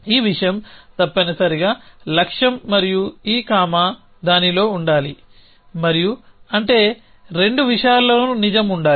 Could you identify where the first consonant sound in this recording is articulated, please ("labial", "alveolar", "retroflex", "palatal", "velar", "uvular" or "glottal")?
labial